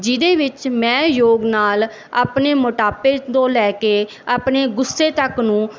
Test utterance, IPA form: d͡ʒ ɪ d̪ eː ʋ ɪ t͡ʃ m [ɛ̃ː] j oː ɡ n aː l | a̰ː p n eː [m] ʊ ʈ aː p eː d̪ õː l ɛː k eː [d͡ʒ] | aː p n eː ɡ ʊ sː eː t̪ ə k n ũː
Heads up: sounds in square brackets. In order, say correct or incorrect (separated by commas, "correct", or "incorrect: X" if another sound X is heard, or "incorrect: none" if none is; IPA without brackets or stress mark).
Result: correct, correct, incorrect: none